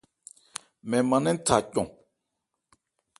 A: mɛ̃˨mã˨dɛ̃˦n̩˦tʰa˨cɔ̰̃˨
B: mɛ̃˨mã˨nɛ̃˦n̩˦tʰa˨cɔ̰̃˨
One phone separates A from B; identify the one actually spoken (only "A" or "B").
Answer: B